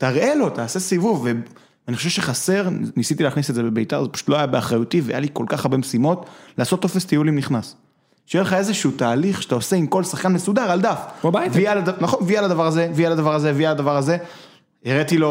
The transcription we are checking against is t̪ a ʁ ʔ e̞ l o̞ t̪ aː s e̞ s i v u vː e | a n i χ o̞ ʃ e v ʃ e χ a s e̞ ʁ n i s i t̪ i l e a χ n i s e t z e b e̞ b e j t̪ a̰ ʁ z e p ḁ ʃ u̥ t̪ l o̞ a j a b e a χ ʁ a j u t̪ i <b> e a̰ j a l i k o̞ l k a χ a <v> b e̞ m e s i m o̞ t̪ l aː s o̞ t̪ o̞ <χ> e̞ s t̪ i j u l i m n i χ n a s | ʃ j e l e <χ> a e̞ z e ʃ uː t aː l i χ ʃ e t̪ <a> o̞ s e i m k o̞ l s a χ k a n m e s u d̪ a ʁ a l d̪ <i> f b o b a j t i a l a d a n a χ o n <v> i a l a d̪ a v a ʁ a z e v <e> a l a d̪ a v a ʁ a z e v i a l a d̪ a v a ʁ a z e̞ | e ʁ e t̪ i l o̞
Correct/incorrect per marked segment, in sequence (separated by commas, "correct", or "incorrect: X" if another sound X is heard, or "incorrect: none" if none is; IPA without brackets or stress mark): incorrect: v, incorrect: ʁ, incorrect: f, correct, correct, incorrect: a, correct, incorrect: i